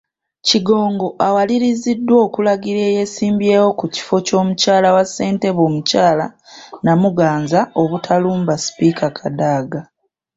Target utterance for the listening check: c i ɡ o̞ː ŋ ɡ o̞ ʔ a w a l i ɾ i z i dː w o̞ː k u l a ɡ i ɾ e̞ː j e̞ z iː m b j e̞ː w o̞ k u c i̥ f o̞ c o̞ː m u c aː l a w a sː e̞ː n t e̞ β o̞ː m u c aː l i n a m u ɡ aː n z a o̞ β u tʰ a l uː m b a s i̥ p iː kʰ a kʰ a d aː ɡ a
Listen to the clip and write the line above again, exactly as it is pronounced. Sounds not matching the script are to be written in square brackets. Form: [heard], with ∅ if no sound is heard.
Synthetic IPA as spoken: c i ɡ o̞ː ŋ ɡ o̞ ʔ a w a l i ɾ i z i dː w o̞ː k u l a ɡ i ɾ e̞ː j e̞ [s] iː m b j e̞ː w o̞ k u c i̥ f o̞ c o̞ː m u c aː l a w a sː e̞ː n t e̞ β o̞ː m u c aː l [a] n a m u ɡ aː n z a o̞ β u tʰ a l uː m b a s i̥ p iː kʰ a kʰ a d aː ɡ a